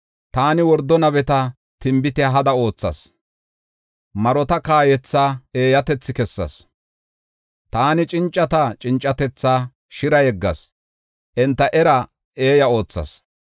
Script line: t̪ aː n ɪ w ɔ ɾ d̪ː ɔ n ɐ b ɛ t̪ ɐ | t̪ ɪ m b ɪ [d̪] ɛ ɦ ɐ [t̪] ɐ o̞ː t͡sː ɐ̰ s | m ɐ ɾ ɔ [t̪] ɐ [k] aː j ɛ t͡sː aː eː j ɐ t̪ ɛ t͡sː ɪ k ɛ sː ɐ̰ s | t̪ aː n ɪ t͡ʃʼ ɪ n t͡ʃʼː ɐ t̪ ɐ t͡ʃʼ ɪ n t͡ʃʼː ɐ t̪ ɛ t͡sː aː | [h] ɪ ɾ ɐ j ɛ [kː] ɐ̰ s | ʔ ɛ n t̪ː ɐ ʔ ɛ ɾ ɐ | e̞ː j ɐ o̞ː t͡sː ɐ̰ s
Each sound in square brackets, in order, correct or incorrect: incorrect, incorrect, correct, correct, incorrect, incorrect

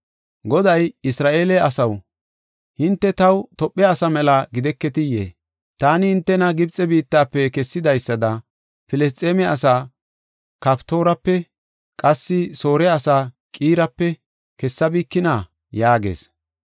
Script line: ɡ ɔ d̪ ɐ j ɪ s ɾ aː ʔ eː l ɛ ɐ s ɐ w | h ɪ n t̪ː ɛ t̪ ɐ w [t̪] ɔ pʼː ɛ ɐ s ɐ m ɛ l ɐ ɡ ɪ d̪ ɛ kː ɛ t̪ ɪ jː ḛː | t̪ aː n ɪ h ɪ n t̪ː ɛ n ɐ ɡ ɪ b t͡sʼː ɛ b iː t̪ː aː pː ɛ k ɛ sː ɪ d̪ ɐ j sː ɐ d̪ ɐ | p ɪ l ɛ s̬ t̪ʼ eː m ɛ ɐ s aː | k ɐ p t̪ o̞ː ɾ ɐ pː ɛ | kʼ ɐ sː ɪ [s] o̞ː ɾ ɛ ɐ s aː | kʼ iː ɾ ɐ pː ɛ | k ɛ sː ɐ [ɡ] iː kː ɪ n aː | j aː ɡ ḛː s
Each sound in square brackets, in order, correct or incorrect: correct, correct, incorrect

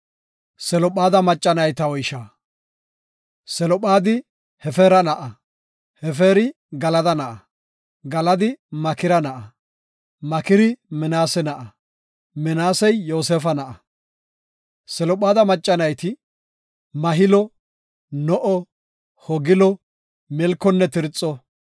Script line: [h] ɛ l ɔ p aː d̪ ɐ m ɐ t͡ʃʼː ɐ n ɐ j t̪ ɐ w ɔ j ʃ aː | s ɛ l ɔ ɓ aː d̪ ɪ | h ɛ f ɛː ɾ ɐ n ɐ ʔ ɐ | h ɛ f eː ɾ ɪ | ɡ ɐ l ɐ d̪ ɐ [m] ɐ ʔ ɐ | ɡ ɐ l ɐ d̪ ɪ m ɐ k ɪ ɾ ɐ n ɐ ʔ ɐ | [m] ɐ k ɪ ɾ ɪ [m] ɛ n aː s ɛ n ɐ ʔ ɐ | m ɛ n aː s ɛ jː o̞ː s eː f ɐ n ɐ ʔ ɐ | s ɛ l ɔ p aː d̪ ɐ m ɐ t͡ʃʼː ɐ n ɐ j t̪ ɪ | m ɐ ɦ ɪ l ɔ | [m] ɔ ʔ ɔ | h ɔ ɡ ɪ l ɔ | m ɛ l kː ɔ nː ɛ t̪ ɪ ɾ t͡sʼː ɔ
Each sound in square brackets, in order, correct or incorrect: incorrect, incorrect, correct, correct, incorrect

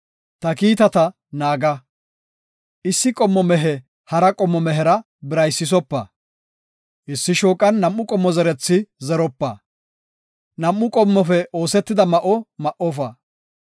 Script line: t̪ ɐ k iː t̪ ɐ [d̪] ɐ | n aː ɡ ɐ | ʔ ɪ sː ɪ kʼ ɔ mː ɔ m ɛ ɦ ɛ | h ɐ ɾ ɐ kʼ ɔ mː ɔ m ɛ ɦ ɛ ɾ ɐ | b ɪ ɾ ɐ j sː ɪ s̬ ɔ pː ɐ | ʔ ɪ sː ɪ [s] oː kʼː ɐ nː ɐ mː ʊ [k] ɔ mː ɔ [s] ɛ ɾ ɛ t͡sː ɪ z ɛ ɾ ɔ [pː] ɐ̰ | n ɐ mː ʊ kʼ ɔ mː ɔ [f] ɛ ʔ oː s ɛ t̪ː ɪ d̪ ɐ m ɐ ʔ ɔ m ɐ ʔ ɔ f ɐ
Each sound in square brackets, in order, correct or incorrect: incorrect, incorrect, incorrect, incorrect, correct, correct

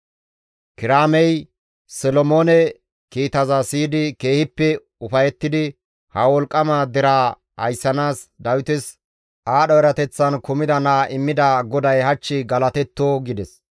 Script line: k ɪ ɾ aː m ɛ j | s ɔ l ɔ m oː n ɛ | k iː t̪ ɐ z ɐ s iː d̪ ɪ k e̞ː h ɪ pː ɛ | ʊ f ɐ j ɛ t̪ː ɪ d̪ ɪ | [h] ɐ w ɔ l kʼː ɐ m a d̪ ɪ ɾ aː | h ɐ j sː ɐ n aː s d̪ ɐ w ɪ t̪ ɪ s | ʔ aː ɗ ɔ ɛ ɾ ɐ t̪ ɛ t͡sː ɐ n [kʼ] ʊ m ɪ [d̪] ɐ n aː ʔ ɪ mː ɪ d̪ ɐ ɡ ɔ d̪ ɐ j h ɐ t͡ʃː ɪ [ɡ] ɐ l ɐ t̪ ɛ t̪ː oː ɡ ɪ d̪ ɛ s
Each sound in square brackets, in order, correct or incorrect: correct, incorrect, correct, correct

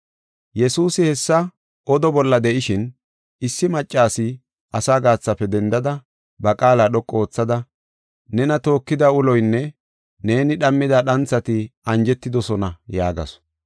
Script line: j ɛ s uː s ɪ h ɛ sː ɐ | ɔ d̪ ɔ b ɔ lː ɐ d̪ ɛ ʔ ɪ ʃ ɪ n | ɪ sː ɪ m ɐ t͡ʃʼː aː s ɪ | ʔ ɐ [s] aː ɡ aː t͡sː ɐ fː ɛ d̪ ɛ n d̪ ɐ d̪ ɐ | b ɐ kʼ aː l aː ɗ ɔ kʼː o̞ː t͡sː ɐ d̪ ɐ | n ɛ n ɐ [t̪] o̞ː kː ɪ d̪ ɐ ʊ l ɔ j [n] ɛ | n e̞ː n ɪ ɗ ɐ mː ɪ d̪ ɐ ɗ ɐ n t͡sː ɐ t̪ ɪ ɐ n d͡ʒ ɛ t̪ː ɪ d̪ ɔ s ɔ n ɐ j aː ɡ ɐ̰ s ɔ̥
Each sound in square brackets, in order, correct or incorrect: correct, correct, incorrect

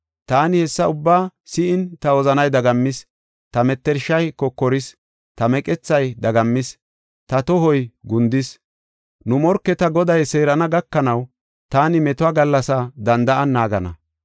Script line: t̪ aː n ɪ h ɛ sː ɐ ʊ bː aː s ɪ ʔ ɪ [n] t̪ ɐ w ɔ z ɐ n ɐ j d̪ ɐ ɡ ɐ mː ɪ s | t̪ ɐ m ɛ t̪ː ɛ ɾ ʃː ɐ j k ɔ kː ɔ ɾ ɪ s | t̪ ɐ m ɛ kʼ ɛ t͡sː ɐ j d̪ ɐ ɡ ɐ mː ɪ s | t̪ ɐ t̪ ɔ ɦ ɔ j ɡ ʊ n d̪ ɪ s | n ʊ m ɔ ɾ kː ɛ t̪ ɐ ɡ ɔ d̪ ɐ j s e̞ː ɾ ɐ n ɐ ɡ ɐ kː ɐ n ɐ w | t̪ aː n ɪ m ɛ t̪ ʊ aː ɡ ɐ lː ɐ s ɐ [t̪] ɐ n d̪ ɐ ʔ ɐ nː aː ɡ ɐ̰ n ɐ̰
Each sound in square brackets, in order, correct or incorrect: correct, incorrect

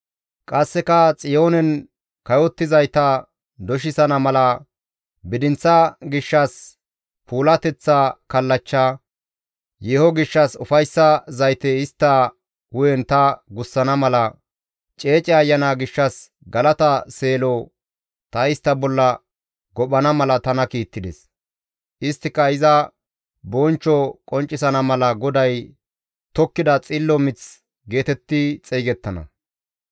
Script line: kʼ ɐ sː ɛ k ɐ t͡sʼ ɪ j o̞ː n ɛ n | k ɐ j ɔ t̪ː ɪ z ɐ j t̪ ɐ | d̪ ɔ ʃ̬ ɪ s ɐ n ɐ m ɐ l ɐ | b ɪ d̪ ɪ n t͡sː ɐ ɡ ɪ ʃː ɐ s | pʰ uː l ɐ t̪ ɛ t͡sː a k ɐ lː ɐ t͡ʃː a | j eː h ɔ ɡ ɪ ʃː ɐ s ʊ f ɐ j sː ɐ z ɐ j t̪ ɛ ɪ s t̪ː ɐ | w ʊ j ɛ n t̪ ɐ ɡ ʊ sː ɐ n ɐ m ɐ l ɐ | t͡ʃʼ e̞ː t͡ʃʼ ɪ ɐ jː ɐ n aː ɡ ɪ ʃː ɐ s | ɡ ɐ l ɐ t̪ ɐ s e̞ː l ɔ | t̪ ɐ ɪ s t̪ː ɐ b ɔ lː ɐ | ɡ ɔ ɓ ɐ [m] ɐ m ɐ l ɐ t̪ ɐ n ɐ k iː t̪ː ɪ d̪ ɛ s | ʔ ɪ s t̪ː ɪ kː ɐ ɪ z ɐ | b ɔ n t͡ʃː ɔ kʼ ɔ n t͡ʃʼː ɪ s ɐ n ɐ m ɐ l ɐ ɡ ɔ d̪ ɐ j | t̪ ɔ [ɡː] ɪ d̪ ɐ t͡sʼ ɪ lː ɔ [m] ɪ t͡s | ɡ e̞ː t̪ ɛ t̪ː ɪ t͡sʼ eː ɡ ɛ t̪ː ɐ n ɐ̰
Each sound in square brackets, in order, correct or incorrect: incorrect, incorrect, correct

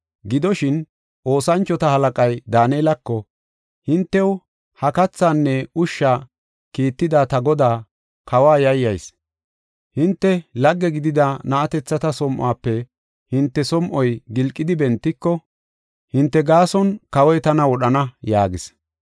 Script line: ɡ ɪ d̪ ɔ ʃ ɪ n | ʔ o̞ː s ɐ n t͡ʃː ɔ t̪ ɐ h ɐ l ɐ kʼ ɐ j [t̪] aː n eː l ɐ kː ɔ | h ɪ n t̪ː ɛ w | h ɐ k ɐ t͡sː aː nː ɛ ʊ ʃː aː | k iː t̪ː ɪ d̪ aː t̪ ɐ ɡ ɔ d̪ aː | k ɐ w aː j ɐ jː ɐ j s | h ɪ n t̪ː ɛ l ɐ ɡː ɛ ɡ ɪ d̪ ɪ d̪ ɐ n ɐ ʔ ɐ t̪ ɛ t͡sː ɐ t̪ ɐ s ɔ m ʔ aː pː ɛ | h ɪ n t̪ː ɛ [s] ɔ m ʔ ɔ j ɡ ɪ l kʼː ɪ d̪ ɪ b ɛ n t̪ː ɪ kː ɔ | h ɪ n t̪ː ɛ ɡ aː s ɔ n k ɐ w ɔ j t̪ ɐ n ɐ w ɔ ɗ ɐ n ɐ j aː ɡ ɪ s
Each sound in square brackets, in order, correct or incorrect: incorrect, correct

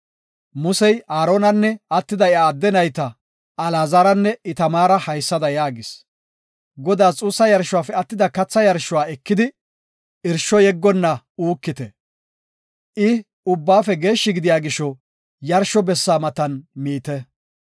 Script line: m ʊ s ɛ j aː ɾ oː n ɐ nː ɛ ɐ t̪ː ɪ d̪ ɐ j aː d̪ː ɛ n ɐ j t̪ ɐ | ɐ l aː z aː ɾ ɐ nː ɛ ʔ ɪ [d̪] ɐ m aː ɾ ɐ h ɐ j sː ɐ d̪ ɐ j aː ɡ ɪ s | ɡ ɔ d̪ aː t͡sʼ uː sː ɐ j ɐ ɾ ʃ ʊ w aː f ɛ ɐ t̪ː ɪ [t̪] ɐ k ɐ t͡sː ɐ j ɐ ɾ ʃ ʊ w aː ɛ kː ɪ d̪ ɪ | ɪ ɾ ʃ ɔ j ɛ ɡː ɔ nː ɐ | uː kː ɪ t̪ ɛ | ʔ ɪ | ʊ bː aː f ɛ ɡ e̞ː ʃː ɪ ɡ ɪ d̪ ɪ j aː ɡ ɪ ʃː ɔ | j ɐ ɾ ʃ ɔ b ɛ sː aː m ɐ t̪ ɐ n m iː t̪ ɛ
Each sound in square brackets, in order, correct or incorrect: incorrect, incorrect

